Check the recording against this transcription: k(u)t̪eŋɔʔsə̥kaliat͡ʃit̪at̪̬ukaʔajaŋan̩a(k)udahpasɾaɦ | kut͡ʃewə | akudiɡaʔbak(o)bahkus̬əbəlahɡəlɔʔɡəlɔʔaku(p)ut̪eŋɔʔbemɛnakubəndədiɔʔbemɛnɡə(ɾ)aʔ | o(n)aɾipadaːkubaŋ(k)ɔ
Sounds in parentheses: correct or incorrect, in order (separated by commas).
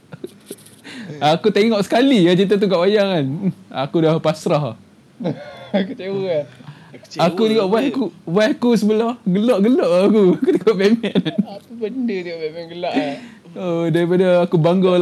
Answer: correct, correct, incorrect, incorrect, incorrect, incorrect, incorrect